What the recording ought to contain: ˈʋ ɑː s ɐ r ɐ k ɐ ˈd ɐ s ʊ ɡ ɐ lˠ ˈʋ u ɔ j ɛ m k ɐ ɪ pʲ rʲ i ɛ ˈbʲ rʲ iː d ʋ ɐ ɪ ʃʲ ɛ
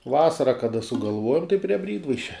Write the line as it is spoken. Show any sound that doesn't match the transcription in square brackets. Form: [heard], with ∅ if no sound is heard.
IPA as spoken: ˈʋ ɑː s ɐ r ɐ k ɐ ˈd ɐ s ʊ ɡ ɐ lˠ ˈʋ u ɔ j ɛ m [t] ɐ ɪ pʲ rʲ i ɛ ˈbʲ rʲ iː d ʋ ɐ ɪ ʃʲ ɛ